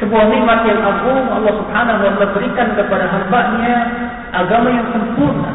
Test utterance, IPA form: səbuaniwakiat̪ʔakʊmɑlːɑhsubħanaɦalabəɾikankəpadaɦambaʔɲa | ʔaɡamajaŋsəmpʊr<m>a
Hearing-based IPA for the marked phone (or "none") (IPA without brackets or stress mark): n